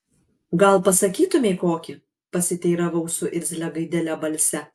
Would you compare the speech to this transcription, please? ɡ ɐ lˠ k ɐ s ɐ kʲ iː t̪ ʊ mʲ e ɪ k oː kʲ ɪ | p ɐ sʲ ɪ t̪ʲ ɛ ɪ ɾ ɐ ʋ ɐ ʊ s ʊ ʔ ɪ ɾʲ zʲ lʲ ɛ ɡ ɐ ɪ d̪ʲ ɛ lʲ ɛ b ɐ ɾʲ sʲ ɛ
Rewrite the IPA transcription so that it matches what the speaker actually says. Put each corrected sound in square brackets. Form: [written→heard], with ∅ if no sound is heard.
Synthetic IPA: ɡ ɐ lˠ [k→p] ɐ s ɐ kʲ iː t̪ ʊ mʲ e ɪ k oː kʲ ɪ | p ɐ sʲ ɪ t̪ʲ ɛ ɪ ɾ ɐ ʋ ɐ ʊ s ʊ ʔ ɪ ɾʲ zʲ lʲ ɛ ɡ ɐ ɪ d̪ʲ ɛ lʲ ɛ b ɐ [ɾʲ→lʲ] sʲ ɛ